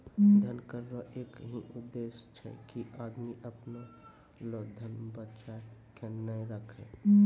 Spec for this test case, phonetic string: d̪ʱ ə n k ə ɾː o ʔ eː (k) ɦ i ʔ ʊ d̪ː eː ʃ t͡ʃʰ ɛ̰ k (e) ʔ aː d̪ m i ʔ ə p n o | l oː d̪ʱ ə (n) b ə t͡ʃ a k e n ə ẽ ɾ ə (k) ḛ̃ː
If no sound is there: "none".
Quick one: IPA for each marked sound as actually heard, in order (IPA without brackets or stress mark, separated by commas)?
k, i, n, kʰ